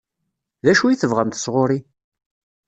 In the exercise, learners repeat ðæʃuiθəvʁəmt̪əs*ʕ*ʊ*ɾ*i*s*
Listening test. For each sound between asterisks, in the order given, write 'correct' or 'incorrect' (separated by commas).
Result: incorrect, correct, incorrect